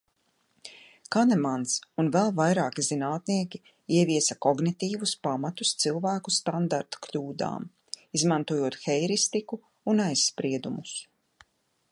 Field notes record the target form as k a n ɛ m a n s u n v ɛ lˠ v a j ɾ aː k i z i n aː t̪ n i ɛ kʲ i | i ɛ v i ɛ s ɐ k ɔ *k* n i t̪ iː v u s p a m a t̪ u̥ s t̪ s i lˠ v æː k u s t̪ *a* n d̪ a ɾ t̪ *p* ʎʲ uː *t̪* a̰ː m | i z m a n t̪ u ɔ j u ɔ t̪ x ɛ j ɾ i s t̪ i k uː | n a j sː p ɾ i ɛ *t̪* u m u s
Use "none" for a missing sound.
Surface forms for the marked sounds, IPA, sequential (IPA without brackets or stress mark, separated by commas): ɡ, a, k, d̪, d̪